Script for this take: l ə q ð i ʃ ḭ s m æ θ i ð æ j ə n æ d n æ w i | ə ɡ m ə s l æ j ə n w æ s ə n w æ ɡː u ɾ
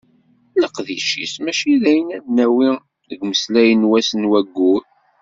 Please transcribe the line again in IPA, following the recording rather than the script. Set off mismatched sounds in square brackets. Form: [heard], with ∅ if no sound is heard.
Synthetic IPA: l ə q ð i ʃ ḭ s m æ [ʃ] i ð æ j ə n æ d n æ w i | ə ɡ m ə s l æ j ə n w æ s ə n w æ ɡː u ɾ